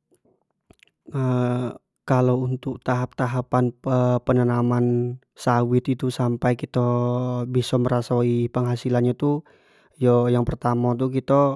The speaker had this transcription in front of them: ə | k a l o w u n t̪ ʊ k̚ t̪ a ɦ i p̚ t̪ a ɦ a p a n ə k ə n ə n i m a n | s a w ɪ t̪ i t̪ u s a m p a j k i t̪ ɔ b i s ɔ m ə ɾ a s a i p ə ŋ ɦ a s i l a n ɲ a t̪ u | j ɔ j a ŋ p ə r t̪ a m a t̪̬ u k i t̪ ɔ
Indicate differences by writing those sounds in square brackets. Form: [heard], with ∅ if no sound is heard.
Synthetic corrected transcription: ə | k a l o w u n t̪ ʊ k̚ t̪ a ɦ [a] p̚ t̪ a ɦ a p a n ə [p] ə n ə n [a] m a n | s a w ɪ t̪ i t̪ u s a m p a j k i t̪ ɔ b i s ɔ m ə ɾ a s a i p ə ŋ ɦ a s i l a n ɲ a t̪ u | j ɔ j a ŋ p ə r t̪ a m a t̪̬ u k i t̪ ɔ